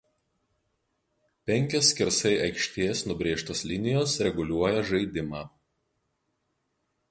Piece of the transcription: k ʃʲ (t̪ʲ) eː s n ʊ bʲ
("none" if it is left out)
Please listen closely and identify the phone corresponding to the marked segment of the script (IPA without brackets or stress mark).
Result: t̪ʲ